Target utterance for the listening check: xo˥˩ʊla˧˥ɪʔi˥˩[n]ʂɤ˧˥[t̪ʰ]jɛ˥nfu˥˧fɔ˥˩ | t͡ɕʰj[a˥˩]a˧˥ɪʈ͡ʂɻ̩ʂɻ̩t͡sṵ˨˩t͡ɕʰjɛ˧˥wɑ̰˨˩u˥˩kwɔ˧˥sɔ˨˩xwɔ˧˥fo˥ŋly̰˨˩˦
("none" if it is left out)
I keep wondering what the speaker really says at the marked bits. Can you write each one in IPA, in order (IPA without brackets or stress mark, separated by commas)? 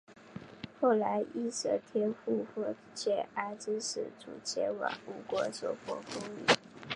none, t̪ʰ, ɛ˥˩